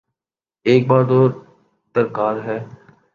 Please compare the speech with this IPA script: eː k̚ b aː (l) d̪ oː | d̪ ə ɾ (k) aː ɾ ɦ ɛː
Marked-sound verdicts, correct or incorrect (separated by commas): incorrect, correct